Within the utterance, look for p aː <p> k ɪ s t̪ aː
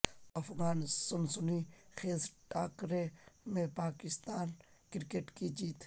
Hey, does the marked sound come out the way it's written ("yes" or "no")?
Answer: no